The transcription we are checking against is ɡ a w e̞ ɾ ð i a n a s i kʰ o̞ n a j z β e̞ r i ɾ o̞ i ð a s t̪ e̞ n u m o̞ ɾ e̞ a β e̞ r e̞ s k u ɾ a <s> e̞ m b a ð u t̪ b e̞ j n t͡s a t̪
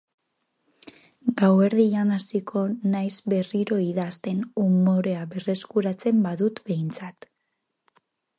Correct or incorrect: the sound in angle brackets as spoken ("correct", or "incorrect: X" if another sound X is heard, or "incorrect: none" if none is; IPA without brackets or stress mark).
incorrect: t͡s